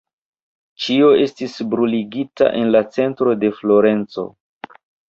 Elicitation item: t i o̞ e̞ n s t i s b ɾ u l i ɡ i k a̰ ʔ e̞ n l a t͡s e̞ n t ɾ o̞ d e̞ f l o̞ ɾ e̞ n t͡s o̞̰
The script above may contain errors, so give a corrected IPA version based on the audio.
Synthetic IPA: t͡ʃ i o̞ e̞ s t i s b ɾ u l i ɡ i t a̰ ʔ e̞ n l a t͡s e̞ n t ɾ o̞ d e̞ f l o̞ ɾ e̞ n t͡s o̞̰